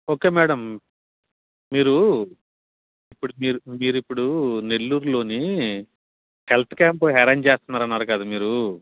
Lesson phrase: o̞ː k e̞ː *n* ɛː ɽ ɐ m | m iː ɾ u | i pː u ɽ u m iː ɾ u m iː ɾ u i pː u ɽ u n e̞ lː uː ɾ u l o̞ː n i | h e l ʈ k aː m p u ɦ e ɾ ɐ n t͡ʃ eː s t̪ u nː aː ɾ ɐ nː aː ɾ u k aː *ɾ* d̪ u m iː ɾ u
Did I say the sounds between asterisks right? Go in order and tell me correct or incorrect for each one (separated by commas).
incorrect, incorrect